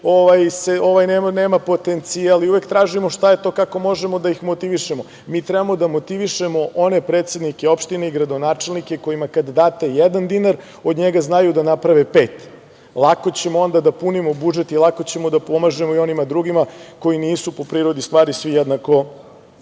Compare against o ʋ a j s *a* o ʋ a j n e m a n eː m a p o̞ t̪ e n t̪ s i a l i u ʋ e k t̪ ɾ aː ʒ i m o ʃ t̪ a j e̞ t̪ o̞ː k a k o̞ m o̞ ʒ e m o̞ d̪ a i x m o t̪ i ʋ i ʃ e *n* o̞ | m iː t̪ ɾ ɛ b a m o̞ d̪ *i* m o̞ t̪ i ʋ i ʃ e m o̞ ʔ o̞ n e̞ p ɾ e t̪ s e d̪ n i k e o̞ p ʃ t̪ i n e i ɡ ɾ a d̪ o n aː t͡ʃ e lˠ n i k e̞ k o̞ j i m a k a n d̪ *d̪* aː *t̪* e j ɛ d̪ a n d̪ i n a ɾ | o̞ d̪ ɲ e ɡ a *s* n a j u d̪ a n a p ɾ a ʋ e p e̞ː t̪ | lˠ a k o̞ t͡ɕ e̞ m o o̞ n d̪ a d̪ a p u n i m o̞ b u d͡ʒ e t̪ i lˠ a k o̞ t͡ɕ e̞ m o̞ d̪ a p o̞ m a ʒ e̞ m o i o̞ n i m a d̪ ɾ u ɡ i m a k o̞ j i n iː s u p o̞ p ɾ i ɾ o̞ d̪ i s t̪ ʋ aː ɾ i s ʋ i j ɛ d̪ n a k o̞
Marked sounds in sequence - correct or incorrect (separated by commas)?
incorrect, incorrect, incorrect, correct, correct, incorrect